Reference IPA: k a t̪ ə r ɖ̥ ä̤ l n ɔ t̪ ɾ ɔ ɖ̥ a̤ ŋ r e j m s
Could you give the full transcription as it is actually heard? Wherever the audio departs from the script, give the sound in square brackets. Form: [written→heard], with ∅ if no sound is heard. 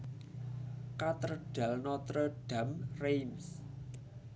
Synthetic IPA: k a t̪ ə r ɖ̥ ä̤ l n ɔ t̪ ɾ ɔ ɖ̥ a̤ [ŋ→m] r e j m s